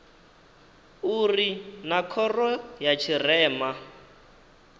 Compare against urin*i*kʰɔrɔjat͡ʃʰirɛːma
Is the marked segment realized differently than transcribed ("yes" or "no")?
yes